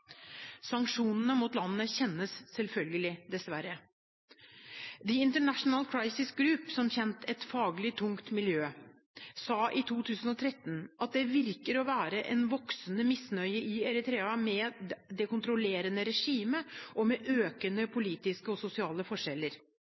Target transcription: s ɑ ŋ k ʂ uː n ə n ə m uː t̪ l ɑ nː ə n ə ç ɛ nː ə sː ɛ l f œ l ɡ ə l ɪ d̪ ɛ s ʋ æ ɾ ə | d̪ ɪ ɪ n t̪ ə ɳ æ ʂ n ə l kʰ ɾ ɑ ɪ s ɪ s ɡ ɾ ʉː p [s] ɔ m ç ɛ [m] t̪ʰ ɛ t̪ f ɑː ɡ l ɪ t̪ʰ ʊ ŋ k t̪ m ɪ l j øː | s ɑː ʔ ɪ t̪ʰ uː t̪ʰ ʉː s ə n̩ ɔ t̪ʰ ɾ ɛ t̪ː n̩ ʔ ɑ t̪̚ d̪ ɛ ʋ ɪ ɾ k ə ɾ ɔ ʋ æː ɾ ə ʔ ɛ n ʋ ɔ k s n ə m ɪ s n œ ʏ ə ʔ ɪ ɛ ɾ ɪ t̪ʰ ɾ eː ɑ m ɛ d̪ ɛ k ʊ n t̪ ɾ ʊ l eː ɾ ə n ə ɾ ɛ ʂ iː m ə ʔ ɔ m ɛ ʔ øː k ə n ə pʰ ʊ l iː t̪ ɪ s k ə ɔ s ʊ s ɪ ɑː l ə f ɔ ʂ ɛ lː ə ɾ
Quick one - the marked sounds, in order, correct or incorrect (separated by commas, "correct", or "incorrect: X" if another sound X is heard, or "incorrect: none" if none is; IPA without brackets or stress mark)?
correct, incorrect: n